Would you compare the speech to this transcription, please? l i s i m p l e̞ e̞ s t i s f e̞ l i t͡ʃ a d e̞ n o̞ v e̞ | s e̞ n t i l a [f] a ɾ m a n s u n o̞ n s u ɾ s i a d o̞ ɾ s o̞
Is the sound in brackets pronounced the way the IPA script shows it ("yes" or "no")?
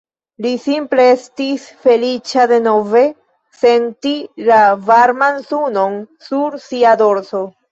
no